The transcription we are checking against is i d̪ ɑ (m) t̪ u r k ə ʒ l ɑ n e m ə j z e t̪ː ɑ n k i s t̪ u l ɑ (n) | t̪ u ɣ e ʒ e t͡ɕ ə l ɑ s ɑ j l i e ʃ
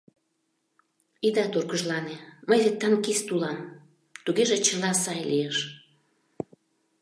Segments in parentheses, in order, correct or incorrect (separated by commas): incorrect, incorrect